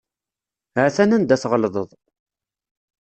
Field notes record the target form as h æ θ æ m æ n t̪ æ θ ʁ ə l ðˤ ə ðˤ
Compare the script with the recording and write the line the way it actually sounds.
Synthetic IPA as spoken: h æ θ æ n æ n d̪ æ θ ʁ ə l ðˤ ə ðˤ

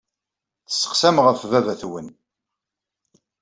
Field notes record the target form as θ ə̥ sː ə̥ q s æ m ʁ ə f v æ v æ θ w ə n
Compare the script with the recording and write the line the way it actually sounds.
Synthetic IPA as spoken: θ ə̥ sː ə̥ q s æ m ʁ ə f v æ v æ θ w ə n

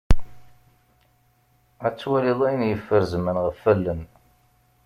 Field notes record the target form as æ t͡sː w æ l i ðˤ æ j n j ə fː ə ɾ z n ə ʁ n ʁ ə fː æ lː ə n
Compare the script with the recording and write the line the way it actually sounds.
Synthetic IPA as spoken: æ t͡sː w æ l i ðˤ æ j n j ə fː ə ɾ z m ə n ʁ ə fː æ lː ə n

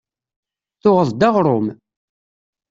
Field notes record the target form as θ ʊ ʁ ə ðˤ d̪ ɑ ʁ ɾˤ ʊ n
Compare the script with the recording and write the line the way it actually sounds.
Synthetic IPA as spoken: θ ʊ ʁ ə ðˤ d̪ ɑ ʁ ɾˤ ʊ m

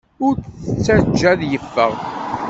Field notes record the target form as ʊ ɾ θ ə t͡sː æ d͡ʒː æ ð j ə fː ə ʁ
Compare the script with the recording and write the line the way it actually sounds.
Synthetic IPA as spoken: ʊ ɾ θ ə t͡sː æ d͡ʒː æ ð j ə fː ə ʁ

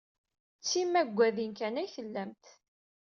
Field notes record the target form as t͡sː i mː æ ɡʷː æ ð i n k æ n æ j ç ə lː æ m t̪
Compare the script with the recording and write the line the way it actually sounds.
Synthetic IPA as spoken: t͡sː i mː æ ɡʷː æ ð i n k æ n æ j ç ə lː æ m t̪

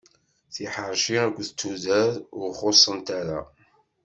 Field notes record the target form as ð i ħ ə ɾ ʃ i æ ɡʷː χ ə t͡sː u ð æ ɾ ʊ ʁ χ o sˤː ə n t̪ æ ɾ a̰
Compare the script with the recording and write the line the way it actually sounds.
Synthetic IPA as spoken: θ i ħ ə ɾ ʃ i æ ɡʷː θ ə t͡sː u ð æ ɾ ʊ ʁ χ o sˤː ə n t̪ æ ɾ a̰

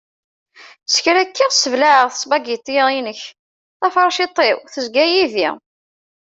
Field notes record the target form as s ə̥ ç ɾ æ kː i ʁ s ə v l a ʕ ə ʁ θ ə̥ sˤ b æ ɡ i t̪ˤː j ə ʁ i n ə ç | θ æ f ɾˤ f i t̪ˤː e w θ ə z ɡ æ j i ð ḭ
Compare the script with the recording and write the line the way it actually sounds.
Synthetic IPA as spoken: s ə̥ ç ɾ æ kː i ʁ s ə v l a ʕ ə ʁ θ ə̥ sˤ b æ ɡ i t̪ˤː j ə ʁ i n ə ç | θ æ f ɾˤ ʃ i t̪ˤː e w θ ə z ɡ æ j i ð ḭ

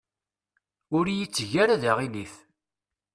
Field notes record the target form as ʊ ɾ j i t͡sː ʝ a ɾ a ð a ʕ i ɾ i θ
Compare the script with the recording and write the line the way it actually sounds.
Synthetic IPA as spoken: ʊ ɾ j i t͡sː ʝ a ɾ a ð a ʁ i l i θ

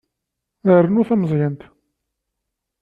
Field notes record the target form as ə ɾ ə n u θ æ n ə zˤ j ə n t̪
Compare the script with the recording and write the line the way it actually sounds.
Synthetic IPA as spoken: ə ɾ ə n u θ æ m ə zˤ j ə n t̪

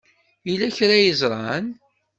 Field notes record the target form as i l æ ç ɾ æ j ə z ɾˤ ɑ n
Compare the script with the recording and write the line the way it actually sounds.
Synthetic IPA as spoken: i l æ ç ɾ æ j ə z ɾˤ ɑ n

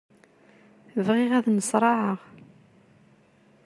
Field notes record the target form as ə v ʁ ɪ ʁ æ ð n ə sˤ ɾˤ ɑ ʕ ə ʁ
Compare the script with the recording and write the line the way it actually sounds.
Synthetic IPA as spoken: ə v ʁ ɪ ʁ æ ð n ə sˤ ɾˤ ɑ ʕ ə ʁ

